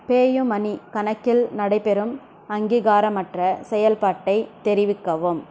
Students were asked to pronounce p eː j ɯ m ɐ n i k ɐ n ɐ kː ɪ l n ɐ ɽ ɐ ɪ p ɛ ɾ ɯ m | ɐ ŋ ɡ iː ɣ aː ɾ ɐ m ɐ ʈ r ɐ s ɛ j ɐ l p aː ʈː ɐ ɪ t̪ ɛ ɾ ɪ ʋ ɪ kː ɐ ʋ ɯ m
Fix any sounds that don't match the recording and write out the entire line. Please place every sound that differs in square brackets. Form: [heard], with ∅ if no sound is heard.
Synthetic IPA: p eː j ɯ m ɐ n i k ɐ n ɐ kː ɪ l n ɐ ɽ ɐ ɪ p ɛ ɾ ɯ m | ɐ ŋ ɡ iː ɣ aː ɾ ɐ m ɐ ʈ r ɐ s ɛ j ɐ l p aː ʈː ɐ ɪ t̪ ɛ ɾ ɪ ʋ ɪ kː ɐ ʋ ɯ m